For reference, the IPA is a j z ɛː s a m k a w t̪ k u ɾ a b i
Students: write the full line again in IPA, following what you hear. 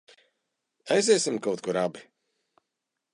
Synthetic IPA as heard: a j z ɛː s i m k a w t̪ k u ɾ a b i